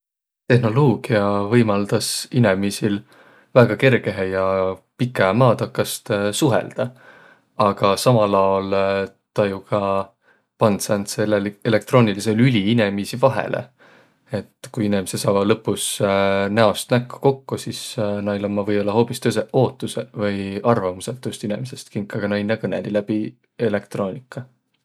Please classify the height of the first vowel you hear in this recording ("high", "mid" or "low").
mid